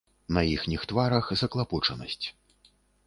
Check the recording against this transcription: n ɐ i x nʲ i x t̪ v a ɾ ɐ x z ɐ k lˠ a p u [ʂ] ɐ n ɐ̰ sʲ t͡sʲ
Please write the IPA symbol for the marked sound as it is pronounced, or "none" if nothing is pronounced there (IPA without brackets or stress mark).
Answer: t͡ʂ